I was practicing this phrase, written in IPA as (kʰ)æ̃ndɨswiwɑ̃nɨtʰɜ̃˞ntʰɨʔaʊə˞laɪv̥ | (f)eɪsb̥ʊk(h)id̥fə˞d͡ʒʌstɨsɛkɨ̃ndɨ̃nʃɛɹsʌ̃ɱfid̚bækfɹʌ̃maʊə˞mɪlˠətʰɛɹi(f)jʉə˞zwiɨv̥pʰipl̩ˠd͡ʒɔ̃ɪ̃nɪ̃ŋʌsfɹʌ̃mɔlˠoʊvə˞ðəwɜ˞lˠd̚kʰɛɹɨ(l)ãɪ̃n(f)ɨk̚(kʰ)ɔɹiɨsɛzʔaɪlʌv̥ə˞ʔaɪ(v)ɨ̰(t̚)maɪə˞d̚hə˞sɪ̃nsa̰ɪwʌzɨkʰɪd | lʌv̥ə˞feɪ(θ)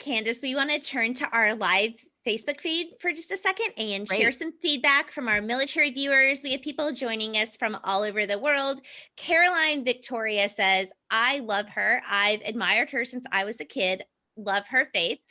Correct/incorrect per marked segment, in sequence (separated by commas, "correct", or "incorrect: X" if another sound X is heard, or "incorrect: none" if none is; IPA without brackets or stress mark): correct, correct, incorrect: f, incorrect: v, correct, incorrect: v, incorrect: tʰ, correct, incorrect: d̚, correct